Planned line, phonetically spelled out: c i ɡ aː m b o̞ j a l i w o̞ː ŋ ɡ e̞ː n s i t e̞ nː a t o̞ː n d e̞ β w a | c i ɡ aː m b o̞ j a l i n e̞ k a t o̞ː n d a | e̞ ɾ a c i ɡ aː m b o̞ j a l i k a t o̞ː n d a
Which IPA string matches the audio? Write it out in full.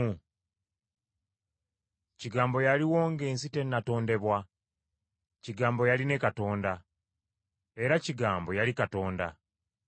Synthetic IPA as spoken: c i ɡ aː m b o̞ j a l i w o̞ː ŋ ɡ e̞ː n s i t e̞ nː a t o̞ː n d e̞ β w a | c i ɡ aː m b o̞ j a l i n e̞ k a t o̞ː n d a | e̞ ɾ a c i ɡ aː m b o̞ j a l i k a t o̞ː n d a